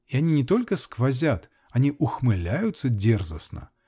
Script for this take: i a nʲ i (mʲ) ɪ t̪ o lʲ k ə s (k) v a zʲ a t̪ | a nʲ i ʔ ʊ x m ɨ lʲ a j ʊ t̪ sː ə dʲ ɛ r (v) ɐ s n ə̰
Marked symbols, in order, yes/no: no, yes, no

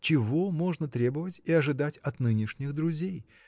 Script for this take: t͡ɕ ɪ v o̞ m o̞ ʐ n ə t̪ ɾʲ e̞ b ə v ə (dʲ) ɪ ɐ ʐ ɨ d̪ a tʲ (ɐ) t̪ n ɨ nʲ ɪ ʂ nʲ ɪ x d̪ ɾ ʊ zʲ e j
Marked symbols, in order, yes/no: no, yes

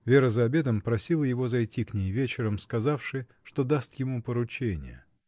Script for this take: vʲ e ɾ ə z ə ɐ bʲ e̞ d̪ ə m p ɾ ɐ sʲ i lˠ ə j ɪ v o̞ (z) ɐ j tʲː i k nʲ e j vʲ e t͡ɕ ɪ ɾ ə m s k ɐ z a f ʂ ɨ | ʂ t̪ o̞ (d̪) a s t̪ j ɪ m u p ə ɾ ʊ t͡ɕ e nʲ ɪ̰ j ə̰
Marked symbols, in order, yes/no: yes, yes

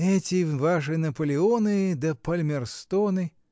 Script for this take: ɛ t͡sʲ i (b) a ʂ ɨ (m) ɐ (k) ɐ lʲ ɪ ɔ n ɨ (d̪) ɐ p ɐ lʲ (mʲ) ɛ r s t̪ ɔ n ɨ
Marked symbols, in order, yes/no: no, no, no, yes, yes

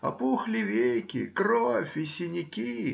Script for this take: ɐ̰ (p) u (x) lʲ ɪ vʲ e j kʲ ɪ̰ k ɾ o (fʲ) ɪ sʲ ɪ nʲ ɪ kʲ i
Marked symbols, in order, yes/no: yes, yes, yes

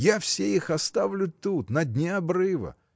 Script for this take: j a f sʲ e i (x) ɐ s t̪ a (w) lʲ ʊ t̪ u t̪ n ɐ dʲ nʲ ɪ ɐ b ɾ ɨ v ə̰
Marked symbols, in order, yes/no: yes, no

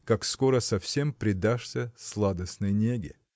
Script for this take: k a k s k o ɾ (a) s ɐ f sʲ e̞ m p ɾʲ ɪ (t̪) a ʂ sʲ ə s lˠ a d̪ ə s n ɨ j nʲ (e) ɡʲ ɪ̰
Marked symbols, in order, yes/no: no, no, yes

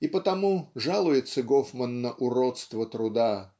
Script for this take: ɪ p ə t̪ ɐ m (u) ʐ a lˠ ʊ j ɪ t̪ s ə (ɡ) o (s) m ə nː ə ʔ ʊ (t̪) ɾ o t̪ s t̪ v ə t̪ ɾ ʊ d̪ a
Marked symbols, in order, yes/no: yes, yes, no, no

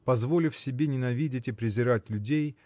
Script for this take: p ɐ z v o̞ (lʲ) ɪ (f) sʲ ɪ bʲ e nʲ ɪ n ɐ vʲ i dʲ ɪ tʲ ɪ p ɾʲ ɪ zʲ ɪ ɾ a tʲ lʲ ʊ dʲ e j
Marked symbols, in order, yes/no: yes, yes

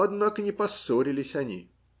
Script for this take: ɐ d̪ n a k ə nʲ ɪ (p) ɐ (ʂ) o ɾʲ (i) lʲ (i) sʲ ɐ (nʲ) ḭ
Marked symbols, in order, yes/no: yes, no, no, no, yes

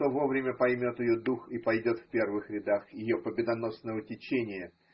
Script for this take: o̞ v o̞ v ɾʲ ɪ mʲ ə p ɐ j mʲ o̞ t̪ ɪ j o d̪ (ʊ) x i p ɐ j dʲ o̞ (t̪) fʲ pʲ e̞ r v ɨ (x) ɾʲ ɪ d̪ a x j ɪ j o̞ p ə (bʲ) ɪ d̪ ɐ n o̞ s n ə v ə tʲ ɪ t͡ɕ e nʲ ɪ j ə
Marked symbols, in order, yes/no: no, yes, yes, yes

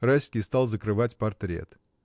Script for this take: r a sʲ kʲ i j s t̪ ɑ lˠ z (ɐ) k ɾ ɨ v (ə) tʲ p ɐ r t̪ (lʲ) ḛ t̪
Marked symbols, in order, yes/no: no, no, no

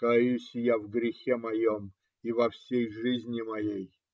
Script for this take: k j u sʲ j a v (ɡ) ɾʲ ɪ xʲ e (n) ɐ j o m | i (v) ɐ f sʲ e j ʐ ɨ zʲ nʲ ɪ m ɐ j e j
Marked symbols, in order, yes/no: yes, no, yes

